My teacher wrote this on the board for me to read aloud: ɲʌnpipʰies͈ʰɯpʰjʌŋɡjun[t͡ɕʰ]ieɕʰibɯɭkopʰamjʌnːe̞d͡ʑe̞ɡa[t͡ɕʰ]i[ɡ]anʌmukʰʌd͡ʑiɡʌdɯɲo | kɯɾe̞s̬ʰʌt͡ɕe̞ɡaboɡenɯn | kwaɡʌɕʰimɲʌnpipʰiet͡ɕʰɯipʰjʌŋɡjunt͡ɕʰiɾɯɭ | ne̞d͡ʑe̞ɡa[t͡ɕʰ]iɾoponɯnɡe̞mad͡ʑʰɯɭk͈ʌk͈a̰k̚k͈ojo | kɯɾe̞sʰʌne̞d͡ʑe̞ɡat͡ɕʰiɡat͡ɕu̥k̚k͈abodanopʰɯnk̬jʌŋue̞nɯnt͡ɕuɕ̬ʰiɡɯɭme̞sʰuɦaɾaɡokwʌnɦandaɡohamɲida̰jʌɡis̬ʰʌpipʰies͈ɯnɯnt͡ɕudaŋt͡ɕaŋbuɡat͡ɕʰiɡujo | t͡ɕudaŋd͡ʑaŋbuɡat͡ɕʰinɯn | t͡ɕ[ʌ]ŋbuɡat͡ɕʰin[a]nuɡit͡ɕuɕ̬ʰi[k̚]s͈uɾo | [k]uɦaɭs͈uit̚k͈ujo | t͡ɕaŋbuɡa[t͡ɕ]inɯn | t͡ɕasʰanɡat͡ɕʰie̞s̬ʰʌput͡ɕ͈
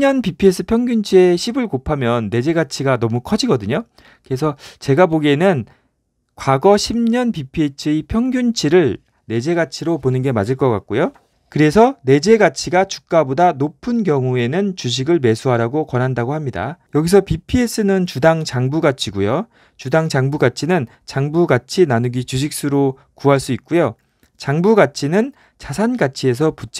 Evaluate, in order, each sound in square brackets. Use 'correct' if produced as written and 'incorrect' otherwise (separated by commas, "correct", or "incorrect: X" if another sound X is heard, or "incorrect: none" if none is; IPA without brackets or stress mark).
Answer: correct, correct, correct, correct, incorrect: a, correct, correct, correct, incorrect: t͡ɕʰ